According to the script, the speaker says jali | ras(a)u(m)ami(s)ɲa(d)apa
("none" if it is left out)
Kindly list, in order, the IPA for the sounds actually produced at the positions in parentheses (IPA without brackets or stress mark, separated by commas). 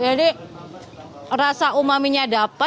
a, m, none, d